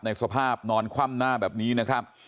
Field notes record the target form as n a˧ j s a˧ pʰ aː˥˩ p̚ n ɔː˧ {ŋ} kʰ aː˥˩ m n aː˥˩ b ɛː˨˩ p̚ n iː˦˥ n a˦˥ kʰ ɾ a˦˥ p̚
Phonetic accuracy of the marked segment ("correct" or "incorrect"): incorrect